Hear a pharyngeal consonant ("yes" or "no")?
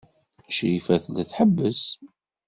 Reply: yes